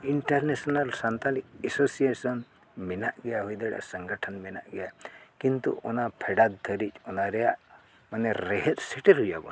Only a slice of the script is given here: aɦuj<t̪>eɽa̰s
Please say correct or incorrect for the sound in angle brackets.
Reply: incorrect